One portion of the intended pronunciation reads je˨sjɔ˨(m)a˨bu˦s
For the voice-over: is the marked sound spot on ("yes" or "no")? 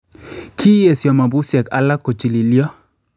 yes